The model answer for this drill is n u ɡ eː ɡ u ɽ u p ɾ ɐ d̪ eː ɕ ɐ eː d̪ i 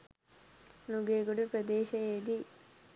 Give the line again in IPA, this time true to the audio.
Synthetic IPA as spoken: n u ɡ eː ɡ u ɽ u p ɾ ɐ d̪ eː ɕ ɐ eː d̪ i